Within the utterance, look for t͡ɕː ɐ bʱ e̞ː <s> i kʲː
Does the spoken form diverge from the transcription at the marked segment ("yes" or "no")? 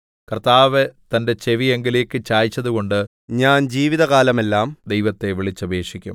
yes